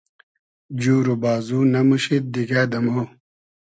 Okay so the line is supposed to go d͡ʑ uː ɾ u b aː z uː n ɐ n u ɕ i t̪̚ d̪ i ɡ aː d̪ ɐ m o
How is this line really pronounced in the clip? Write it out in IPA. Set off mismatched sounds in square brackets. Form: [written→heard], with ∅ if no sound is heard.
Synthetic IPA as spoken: d͡ʑ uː ɾ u b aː z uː n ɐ [n→m] u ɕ i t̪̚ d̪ i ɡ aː d̪ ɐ m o